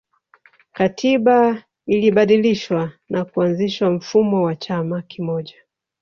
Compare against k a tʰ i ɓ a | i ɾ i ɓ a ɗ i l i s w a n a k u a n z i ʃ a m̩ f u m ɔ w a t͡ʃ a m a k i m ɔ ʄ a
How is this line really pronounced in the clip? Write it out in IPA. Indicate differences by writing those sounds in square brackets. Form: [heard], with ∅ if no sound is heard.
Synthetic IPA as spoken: k a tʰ i ɓ a | i [l] i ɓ a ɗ i l i [ʃ] w a n a k u a n z i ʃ a m̩ f u m ɔ w a t͡ʃ a m a k i m ɔ ʄ a